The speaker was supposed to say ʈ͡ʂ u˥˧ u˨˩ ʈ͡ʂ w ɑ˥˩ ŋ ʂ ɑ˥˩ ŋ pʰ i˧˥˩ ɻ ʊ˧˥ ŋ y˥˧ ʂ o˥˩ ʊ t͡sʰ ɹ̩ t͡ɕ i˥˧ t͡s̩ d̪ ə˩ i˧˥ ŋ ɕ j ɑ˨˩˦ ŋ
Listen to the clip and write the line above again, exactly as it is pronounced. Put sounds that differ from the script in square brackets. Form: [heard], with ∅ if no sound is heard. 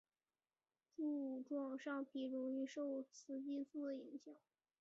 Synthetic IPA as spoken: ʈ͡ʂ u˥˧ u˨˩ ʈ͡ʂ w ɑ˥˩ ŋ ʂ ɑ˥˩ ŋ pʰ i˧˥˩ ɻ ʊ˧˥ ŋ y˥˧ ʂ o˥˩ ʊ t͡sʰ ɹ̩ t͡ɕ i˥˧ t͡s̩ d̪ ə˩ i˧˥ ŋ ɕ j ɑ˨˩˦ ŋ